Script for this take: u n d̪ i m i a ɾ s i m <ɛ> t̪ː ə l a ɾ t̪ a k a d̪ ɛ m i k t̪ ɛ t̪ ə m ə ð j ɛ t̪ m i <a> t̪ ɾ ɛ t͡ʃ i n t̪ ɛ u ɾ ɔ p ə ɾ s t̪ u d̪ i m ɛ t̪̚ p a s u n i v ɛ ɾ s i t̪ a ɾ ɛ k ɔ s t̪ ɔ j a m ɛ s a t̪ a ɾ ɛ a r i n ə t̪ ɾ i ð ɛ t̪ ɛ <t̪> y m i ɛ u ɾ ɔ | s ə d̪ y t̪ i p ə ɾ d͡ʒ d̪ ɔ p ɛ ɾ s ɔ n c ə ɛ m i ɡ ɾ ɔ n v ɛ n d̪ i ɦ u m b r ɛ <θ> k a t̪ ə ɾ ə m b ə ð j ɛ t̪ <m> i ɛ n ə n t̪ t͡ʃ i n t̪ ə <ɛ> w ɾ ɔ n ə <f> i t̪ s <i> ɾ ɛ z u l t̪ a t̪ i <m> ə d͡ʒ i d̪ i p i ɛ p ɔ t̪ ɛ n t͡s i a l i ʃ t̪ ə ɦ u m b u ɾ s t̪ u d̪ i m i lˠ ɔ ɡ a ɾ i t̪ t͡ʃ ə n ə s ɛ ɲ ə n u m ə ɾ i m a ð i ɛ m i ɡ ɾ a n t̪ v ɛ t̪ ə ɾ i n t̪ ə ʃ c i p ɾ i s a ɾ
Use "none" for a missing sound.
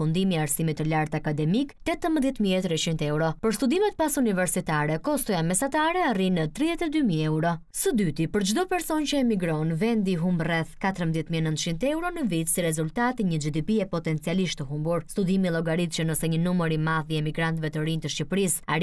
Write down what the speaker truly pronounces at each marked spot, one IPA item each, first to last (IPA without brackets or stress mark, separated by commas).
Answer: i, ɛ, d̪, θ, m, ɛ, v, i, ɲ